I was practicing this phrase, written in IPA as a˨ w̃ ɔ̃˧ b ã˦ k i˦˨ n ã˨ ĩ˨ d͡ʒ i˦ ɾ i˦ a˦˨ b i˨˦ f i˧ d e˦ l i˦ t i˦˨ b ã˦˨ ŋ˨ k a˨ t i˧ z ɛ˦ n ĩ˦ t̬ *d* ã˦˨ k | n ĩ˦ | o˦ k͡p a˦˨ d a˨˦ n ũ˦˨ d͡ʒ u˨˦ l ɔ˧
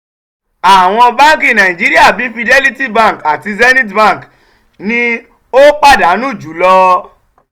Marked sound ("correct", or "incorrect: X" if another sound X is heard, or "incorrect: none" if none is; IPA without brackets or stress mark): incorrect: b